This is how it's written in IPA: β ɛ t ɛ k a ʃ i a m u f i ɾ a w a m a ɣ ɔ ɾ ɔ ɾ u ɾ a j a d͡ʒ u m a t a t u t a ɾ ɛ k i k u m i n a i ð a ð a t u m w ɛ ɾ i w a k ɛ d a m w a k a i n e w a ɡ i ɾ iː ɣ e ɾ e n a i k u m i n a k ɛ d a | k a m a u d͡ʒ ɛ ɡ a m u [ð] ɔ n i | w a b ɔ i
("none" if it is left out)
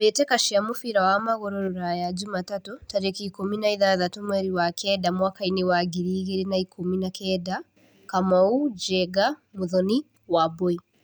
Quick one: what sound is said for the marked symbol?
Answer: ð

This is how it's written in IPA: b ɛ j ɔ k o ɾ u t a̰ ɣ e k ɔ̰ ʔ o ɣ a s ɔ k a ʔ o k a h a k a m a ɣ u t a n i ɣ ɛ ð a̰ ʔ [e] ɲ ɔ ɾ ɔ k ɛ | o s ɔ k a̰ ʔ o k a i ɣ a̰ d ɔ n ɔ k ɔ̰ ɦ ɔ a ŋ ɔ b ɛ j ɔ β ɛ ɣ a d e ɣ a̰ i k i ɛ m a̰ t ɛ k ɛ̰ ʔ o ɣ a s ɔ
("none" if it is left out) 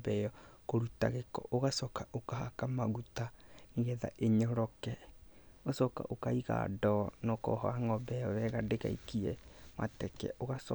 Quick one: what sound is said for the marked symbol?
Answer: e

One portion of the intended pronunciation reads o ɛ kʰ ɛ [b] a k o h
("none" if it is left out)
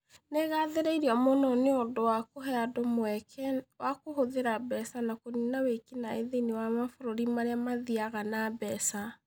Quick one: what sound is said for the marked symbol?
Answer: w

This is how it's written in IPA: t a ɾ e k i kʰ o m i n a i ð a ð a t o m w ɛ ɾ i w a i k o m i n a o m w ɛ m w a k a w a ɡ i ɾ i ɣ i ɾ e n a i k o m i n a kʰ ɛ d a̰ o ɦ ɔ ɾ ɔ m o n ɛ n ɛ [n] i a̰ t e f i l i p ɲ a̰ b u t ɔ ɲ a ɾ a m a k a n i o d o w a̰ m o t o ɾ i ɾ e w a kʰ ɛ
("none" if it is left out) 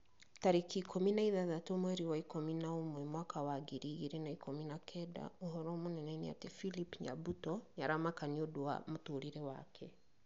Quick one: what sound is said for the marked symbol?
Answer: n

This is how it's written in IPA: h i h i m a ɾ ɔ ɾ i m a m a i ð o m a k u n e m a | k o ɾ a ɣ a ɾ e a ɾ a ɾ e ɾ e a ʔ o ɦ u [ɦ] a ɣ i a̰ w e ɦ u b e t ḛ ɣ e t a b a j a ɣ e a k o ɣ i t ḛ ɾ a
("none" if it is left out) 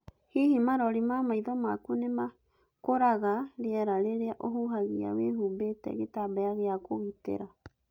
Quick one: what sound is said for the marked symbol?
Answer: ɦ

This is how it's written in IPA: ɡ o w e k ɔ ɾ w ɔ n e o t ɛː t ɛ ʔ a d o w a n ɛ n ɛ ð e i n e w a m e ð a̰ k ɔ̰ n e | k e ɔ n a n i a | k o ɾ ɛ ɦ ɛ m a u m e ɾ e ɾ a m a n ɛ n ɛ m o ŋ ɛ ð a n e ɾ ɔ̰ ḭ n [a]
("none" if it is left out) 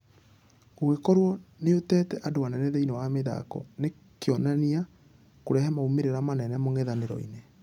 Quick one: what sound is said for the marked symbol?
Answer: e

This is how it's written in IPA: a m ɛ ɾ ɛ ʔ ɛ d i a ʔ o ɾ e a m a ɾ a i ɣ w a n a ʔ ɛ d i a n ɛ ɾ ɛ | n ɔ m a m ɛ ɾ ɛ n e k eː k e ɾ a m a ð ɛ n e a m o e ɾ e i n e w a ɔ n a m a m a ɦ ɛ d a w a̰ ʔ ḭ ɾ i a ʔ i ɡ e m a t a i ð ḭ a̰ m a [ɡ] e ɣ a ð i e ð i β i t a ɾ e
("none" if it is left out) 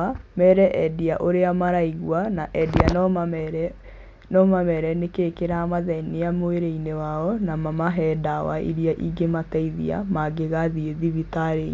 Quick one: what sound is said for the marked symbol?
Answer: ɡ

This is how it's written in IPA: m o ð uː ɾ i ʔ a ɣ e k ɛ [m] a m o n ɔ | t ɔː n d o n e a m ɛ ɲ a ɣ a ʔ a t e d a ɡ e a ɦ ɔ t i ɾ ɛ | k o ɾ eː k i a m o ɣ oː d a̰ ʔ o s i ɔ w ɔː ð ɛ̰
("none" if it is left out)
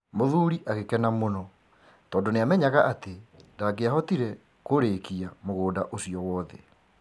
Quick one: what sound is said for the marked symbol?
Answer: n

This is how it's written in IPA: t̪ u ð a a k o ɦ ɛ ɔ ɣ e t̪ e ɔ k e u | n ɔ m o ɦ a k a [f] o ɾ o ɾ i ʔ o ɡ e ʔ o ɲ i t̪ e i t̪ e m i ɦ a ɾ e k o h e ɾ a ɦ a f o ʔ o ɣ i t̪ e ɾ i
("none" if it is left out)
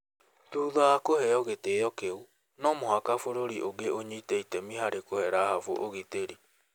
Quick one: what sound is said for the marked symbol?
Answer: f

